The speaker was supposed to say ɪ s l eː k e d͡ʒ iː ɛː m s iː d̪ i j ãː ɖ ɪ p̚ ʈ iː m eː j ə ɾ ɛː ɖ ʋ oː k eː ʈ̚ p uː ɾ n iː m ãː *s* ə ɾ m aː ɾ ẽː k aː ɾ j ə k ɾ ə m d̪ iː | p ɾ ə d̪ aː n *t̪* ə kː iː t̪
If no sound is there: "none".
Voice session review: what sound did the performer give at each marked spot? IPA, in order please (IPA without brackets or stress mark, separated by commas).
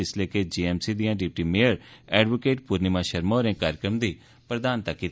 ʃ, t̪